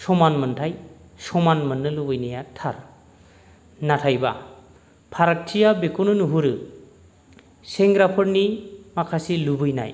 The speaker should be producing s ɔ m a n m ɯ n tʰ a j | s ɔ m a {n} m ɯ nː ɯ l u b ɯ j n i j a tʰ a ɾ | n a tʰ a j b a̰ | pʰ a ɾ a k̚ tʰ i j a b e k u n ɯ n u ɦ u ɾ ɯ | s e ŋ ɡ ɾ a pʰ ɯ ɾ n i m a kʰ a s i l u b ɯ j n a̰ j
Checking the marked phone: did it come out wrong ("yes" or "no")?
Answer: no